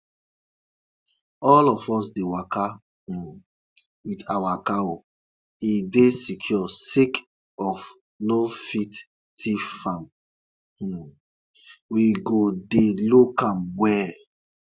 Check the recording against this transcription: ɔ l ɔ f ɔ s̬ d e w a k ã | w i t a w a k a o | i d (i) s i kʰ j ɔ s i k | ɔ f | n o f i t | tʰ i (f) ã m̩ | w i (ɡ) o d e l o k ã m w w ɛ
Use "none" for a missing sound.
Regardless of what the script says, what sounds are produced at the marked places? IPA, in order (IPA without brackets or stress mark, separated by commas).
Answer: e, f, ɡ